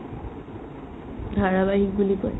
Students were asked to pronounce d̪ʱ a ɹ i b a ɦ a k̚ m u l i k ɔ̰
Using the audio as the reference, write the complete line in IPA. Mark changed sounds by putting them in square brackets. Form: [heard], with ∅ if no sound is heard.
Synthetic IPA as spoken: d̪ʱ a ɹ [a] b a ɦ [i] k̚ [b] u l i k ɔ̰